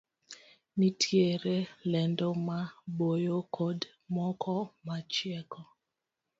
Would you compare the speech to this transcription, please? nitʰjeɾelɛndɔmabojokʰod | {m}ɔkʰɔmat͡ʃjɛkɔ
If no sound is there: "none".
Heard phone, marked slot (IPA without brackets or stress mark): m